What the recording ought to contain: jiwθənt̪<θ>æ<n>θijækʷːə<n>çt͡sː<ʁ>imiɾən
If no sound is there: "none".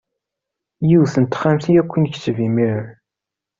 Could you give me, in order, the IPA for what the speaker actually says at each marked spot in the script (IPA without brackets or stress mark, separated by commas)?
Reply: χ, m, n, v